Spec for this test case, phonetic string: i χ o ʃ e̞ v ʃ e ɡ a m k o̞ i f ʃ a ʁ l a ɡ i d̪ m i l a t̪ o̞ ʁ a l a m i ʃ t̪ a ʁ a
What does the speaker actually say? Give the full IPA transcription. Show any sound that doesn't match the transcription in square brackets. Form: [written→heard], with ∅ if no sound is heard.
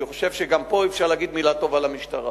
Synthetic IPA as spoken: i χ o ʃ e̞ v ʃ e ɡ a m [k→p] o̞ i f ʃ a ʁ l a ɡ i d̪ m i l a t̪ o̞ [ʁ→v] a l a m i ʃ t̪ a ʁ a